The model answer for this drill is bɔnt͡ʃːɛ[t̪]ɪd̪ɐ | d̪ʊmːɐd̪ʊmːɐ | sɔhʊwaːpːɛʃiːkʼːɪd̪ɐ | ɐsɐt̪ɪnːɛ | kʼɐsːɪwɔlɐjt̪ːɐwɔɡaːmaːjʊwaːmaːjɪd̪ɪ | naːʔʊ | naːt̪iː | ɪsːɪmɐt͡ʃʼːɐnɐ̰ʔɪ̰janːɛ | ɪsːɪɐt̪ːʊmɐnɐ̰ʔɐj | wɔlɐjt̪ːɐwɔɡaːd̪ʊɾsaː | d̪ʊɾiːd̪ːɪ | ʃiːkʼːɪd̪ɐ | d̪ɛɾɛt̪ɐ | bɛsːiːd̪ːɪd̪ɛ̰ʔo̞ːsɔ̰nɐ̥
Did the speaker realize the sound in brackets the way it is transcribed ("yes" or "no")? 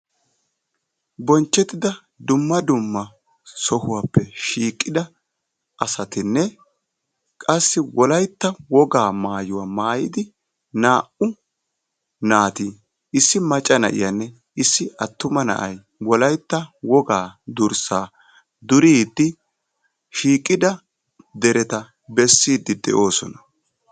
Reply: yes